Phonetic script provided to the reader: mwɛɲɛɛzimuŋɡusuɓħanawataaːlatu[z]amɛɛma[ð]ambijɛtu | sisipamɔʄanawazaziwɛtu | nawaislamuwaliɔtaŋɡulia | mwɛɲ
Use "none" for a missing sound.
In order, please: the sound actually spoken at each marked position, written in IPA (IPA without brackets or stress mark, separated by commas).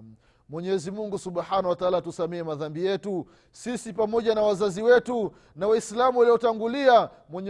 s, ð